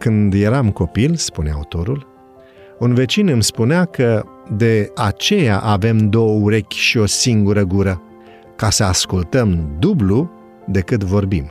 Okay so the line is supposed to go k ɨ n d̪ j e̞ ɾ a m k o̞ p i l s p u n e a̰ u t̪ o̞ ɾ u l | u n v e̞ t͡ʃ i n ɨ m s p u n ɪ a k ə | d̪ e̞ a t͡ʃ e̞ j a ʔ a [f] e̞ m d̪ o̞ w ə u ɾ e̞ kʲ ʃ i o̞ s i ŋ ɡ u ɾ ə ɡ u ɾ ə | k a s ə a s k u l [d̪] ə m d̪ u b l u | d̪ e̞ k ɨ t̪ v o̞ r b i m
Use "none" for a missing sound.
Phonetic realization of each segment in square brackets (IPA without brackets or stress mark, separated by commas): v, t̪